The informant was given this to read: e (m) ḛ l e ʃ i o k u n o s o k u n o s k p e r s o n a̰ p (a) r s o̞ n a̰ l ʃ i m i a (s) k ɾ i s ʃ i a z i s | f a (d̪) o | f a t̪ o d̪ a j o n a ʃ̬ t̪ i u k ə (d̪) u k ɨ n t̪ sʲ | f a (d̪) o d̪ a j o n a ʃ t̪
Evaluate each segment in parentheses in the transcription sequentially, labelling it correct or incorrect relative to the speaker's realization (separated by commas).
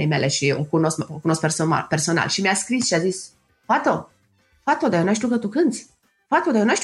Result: correct, incorrect, correct, incorrect, incorrect, incorrect